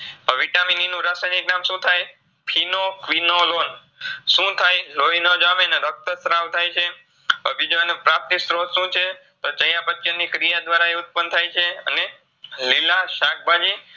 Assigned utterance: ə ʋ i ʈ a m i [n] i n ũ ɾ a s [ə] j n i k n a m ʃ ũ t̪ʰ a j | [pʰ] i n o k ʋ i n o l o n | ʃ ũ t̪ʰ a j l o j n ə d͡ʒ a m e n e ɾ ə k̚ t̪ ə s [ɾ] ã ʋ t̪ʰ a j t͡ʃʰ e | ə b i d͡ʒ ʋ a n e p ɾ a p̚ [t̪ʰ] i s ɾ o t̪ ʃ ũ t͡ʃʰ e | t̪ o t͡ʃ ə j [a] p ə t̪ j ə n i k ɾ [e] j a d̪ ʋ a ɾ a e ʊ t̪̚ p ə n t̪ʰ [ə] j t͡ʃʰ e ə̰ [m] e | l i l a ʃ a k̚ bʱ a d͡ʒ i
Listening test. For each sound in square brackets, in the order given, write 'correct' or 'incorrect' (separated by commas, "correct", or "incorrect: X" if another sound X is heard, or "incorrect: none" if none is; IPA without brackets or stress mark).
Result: correct, incorrect: a, correct, correct, incorrect: t̪, correct, incorrect: i, incorrect: a, incorrect: n